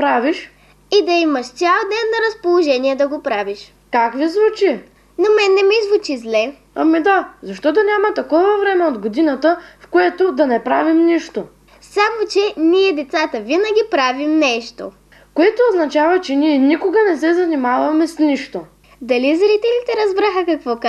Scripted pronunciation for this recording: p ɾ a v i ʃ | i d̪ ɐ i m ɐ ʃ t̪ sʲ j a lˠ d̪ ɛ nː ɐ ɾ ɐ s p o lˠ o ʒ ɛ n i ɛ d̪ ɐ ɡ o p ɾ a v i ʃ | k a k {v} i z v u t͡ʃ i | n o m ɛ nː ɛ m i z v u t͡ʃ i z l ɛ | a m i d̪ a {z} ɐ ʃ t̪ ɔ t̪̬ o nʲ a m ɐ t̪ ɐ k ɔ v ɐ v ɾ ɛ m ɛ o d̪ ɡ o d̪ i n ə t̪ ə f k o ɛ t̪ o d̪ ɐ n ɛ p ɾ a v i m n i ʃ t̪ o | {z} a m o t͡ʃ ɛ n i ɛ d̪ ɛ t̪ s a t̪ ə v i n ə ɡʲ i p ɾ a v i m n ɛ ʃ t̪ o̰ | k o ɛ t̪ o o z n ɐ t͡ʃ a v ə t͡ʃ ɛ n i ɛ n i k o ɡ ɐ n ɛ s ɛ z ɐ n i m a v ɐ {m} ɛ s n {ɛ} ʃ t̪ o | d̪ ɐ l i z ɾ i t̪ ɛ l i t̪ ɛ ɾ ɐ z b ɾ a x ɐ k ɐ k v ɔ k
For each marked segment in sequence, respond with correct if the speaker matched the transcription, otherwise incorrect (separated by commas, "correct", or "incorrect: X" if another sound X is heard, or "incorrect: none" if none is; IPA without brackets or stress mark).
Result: correct, correct, incorrect: s, correct, incorrect: i